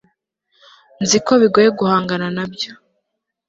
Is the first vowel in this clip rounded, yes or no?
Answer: no